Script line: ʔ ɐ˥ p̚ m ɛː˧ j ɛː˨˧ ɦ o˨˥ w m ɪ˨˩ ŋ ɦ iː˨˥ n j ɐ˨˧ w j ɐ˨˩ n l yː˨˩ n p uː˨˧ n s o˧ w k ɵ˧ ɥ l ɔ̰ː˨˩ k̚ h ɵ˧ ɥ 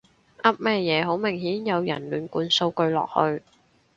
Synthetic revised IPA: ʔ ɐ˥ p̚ m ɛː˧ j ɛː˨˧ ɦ o˨˥ w m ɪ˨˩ ŋ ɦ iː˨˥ n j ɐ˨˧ w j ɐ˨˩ n l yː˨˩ n k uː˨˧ n s o˧ w k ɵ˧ ɥ l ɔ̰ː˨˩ k̚ h ɵ˧ ɥ